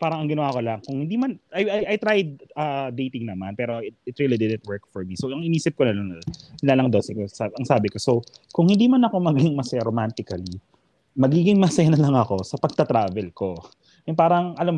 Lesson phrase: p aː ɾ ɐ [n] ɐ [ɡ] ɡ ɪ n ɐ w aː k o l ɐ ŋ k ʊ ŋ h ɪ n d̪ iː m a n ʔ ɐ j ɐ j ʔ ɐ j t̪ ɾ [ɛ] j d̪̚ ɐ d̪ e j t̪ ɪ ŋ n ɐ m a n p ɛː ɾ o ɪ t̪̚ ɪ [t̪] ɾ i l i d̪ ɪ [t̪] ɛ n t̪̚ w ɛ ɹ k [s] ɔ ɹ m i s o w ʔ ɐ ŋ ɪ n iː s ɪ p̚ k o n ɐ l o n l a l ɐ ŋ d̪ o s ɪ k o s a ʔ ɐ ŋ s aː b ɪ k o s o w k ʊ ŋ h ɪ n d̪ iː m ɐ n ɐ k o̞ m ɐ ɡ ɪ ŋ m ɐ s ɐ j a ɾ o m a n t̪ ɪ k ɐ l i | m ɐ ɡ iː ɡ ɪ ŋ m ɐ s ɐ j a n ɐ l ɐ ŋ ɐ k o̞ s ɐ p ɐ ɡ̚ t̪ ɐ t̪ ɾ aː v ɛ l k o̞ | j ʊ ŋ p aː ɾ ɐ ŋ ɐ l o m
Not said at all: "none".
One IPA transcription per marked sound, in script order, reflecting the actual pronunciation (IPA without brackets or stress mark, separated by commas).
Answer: ŋ, ŋ, a, t̪, d̪, f